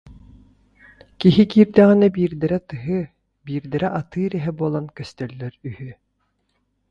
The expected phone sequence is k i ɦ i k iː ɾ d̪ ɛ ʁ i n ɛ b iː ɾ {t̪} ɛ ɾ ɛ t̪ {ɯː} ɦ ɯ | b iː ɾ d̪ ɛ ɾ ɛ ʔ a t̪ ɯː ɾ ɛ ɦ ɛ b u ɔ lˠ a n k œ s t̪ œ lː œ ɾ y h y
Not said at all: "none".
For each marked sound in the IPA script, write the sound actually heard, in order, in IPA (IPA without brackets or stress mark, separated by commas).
d̪, ɯ